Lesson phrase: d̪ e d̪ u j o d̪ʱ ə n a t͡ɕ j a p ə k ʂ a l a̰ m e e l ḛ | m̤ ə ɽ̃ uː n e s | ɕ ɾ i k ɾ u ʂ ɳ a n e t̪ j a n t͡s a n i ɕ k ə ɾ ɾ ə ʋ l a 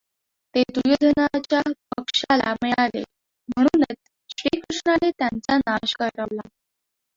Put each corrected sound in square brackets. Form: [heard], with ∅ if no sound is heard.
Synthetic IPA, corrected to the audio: [t̪] e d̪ u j o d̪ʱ ə n a t͡ɕ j a p ə k ʂ a l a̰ m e [a] l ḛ | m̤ ə ɽ̃ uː n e [t͡s] | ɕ ɾ i k ɾ u ʂ ɳ a n e t̪ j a n t͡s a n [a] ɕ k ə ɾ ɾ ə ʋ l a